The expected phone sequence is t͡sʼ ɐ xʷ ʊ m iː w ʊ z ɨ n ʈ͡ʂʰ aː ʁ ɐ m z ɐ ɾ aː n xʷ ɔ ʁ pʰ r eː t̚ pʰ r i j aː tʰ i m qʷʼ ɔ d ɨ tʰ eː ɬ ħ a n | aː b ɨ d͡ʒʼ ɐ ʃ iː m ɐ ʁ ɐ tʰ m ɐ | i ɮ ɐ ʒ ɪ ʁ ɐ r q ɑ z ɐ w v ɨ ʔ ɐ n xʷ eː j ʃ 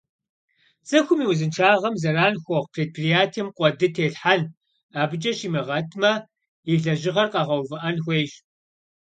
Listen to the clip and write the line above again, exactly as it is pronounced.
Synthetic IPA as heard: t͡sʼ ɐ xʷ ʊ m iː w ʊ z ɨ n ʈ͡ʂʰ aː ʁ ɐ m z ɐ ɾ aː n xʷ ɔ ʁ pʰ r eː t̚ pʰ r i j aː tʰ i m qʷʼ ɔ d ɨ tʰ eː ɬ ħ a n | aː b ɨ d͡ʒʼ ɐ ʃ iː m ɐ ʁ ɐ tʰ m ɐ | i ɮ ɐ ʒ ɪ ʁ ɐ r q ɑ ʁ ɐ w v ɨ ʔ ɐ n xʷ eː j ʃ